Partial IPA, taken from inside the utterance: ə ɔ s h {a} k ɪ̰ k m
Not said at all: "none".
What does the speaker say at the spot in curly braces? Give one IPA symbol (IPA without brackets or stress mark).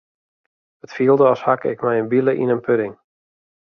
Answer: a